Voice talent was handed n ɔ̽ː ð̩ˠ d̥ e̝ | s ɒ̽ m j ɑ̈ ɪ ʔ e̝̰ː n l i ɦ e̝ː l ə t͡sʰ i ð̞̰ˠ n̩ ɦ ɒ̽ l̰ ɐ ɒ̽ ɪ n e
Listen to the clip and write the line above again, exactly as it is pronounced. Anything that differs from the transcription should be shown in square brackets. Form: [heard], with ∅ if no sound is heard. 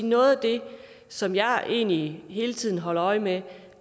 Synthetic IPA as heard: n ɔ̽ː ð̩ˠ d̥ e̝ | s ɒ̽ m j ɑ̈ ɪ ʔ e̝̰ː n l i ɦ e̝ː l ə t͡sʰ i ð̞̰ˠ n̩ ɦ ɒ̽ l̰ ɐ ɒ̽ ɪ [m] e

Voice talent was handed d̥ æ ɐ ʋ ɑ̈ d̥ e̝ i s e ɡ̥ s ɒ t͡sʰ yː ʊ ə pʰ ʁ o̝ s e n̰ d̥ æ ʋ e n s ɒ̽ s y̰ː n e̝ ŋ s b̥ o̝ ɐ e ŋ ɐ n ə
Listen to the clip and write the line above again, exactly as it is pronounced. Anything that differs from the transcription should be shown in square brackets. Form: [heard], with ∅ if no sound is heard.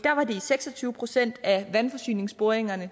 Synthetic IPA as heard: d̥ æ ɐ ʋ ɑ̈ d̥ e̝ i s e ɡ̥ s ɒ t͡sʰ yː ʊ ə pʰ ʁ o̝ s e n̰ d̥ æ ʋ [æ] n [f] ɒ̽ s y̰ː n e̝ ŋ s b̥ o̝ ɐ e ŋ ɐ n ə

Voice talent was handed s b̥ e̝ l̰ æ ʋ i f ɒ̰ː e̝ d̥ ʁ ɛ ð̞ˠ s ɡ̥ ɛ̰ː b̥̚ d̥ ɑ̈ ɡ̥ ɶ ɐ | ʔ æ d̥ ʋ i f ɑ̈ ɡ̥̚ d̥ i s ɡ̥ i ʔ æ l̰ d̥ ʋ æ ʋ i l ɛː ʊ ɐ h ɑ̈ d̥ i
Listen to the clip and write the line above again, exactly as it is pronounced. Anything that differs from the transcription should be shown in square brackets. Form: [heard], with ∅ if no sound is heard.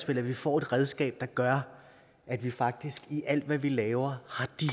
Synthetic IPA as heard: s b̥ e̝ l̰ æ ʋ i f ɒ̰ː e̝ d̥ ʁ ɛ ð̞ˠ s ɡ̥ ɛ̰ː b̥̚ d̥ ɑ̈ ɡ̥ ɶ ɐ | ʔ æ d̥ ʋ i f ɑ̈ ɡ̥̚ d̥ i s ɡ̥ i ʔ æ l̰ d̥ ʋ æ ʋ i l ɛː ʊ ɐ h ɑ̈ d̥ i

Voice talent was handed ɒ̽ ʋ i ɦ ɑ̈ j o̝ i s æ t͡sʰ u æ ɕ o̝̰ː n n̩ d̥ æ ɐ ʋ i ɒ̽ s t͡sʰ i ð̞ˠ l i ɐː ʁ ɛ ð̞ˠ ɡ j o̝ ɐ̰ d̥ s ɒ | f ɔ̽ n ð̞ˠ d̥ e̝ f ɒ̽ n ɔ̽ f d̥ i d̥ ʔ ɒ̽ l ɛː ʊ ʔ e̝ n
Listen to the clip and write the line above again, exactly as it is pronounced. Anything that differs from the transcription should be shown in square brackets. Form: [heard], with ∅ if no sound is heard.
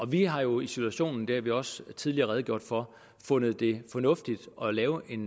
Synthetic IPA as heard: ɒ̽ ʋ i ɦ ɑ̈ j o̝ i s [i] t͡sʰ u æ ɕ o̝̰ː n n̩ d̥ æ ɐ ʋ i ɒ̽ s t͡sʰ i ð̞ˠ l i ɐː ʁ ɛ ð̞ˠ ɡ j o̝ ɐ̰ d̥ [f] ɒ | f ɔ̽ n ð̞ˠ d̥ e̝ f ɒ̽ n ɔ̽ f d̥ i d̥ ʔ ɒ̽ l ɛː ʊ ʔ e̝ n

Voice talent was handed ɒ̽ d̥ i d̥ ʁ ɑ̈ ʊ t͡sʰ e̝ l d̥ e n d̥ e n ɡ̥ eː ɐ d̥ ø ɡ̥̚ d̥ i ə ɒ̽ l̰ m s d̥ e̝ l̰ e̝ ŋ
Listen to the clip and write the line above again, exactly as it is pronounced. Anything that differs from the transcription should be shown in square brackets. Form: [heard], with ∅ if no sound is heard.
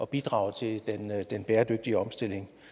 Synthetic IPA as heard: ɒ̽ [b̥] i d̥ ʁ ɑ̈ ʊ t͡sʰ e̝ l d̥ e n d̥ e n [b̥] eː ɐ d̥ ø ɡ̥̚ d̥ i ə ɒ̽ [∅] m s d̥ e̝ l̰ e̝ ŋ

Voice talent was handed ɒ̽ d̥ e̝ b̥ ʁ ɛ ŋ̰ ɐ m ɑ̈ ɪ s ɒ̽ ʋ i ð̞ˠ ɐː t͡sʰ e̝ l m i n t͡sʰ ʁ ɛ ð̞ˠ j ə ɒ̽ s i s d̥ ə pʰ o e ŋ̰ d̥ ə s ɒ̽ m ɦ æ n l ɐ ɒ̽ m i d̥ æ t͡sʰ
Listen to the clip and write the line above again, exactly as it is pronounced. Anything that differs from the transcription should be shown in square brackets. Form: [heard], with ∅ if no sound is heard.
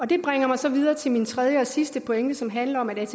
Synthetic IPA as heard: ɒ̽ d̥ e̝ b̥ ʁ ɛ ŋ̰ ɐ m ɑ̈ ɪ s ɒ̽ ʋ i ð̞ˠ ɐː t͡sʰ e̝ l m i n t͡sʰ ʁ ɛ ð̞ˠ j ə ɒ̽ s i s d̥ ə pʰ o e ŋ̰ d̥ ə s ɒ̽ m ɦ æ n l ɐ ɒ̽ m [æ] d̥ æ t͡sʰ

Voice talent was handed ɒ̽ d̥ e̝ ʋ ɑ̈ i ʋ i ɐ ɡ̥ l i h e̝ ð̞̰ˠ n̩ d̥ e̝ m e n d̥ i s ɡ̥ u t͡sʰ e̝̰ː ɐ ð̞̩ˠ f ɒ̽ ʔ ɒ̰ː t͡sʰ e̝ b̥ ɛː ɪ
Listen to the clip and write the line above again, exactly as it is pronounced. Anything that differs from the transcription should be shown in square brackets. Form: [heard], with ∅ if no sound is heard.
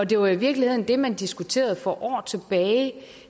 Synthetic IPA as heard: ɒ̽ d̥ e̝ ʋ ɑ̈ i ʋ i ɐ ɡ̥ l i h e̝ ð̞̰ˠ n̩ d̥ e̝ m [æ] n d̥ i s ɡ̥ u t͡sʰ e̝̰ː ɐ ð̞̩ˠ f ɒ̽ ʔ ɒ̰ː t͡sʰ e̝ b̥ ɛː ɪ

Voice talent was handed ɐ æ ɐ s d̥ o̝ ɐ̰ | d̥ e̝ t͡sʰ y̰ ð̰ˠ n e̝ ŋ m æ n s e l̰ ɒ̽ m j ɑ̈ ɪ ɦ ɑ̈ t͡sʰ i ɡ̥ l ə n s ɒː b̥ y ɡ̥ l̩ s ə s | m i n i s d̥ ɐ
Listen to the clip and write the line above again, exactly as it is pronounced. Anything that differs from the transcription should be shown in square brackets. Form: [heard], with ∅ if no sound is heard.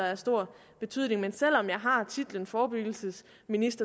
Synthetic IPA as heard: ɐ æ ɐ s d̥ o̝ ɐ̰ | [b̥] e̝ t͡sʰ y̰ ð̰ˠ n e̝ ŋ m [e] n s e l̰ ɒ̽ m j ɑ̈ ɪ ɦ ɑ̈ t͡sʰ i [d̥] l ə n [f] ɒː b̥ y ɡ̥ l̩ s ə s | m i n i s d̥ ɐ

